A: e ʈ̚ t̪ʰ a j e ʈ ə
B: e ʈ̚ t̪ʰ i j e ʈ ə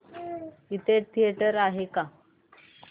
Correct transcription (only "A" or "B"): B